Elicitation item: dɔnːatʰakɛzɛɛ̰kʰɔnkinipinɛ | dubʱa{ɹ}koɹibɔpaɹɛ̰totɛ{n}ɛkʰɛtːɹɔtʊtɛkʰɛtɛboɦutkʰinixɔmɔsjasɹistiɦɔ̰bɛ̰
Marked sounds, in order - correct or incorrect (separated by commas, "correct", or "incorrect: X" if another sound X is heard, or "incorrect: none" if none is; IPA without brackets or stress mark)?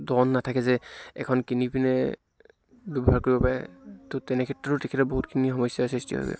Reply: correct, correct